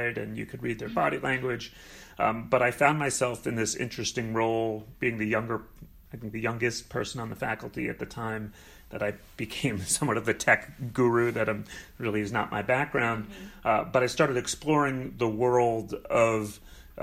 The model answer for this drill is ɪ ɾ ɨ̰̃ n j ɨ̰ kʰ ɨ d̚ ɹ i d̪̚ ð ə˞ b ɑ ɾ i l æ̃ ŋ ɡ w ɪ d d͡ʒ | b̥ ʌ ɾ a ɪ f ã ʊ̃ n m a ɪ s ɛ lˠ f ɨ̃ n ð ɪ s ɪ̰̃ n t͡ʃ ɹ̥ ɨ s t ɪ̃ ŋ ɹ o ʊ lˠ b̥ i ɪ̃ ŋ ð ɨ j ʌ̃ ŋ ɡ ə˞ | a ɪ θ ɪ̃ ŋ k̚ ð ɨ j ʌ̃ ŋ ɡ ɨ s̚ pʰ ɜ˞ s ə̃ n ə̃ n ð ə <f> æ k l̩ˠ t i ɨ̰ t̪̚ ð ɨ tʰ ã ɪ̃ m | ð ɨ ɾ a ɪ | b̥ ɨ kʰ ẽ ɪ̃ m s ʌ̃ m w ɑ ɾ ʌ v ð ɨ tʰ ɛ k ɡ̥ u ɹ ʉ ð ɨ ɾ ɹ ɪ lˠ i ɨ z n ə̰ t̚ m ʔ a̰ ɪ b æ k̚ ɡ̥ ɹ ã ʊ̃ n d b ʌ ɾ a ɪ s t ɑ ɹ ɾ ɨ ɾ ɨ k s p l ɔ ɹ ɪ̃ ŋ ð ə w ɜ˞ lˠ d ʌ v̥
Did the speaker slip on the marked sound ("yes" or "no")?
no